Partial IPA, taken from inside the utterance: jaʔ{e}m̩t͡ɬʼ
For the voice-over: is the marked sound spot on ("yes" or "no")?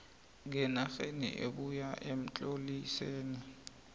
yes